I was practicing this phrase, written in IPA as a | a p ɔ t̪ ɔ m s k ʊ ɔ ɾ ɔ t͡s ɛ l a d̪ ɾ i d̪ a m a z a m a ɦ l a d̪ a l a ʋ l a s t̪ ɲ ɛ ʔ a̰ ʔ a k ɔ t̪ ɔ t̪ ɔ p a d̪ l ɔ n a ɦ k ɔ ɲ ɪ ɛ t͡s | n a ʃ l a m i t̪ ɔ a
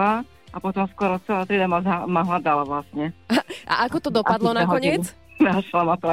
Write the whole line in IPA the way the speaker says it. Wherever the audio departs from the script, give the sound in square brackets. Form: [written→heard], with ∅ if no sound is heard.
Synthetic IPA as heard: a | a p ɔ t̪ ɔ m s k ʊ ɔ ɾ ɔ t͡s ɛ l a [d̪→t̪] ɾ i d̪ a m a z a m a ɦ l a d̪ a l a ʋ l a s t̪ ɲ ɛ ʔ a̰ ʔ a k ɔ t̪ ɔ [t̪→d̪] ɔ p a d̪ l ɔ n a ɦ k ɔ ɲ ɪ ɛ t͡s | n a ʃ l a m [i→a] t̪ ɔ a